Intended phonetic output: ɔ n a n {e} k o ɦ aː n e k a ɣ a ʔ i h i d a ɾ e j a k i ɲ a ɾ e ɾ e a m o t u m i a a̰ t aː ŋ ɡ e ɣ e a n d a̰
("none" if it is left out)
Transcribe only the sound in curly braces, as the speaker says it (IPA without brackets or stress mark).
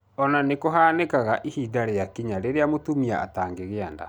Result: e